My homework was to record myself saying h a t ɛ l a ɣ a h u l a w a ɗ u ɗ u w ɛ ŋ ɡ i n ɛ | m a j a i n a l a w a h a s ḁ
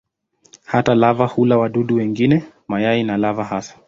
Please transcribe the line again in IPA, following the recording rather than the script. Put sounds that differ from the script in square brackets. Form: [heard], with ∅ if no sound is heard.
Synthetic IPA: h a t [a] l a [v] a h u l a w a ɗ u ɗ u w ɛ ŋ ɡ i n ɛ | m a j a i n a l a [v] a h a s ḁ